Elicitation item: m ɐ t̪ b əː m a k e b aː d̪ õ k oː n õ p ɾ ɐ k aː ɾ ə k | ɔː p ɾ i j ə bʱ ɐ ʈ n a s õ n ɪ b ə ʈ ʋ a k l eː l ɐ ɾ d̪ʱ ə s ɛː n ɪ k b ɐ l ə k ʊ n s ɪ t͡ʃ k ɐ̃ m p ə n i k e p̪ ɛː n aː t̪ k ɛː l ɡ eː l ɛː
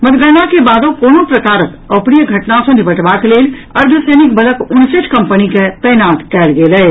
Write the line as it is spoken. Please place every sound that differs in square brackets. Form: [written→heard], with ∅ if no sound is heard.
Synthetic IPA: m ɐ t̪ [b→ɡ] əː [m→n] a k e b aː d̪ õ k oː n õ p ɾ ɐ k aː ɾ ə k | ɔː p ɾ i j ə [bʱ→ɡʱ] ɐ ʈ n a s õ n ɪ b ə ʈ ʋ a k l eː l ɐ ɾ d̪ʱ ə s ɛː n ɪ k b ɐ l ə k ʊ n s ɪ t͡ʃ k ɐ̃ m p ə n i k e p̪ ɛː n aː t̪ k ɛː l ɡ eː l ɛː